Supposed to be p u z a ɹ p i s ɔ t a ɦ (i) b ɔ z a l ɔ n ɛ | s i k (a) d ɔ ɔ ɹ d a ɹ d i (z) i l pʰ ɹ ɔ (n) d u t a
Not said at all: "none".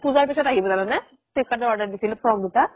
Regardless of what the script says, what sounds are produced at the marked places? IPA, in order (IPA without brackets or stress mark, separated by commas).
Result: i, a, s, m